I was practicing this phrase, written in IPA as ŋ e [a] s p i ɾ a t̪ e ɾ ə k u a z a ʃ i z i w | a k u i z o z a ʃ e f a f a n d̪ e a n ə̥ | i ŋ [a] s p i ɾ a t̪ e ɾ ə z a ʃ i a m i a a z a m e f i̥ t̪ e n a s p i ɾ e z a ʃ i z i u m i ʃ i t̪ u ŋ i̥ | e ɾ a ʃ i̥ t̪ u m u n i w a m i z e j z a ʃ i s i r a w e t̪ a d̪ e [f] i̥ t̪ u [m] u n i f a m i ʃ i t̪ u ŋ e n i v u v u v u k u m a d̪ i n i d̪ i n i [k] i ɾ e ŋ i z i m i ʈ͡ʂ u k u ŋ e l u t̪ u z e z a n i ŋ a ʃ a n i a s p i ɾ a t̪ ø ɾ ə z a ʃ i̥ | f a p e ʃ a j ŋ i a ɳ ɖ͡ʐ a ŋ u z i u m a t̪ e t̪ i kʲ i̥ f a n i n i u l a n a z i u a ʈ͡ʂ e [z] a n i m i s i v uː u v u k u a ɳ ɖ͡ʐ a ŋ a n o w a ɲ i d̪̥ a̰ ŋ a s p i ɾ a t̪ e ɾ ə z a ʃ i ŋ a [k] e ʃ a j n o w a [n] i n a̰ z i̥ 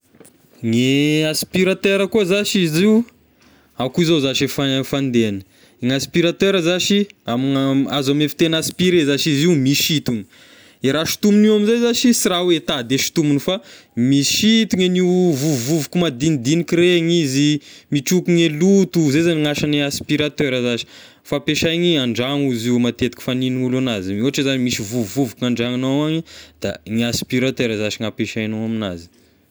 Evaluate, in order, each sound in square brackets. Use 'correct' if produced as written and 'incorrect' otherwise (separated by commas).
correct, correct, incorrect, correct, correct, correct, incorrect, incorrect